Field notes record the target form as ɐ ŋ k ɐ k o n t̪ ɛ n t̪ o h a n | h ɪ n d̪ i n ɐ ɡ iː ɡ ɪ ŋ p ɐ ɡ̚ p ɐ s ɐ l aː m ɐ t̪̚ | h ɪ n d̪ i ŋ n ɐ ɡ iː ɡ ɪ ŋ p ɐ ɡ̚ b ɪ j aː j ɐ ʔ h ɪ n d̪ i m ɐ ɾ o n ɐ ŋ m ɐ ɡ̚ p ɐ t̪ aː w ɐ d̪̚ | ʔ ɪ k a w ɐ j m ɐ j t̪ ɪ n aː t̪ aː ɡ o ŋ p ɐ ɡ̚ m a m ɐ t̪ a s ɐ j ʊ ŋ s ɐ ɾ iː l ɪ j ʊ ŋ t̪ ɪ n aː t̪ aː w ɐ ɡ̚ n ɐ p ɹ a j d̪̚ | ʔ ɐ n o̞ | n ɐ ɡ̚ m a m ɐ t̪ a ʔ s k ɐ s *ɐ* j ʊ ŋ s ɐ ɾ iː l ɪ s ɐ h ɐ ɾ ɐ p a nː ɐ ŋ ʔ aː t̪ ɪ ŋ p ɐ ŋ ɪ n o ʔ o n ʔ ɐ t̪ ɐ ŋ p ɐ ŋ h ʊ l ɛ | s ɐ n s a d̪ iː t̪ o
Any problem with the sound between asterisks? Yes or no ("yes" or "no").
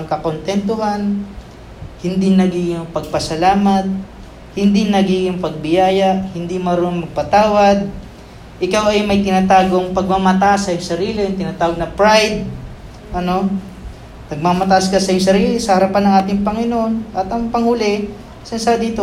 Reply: no